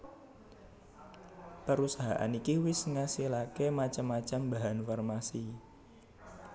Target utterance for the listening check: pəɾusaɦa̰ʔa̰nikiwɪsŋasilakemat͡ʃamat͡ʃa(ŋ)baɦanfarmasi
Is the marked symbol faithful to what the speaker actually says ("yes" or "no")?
no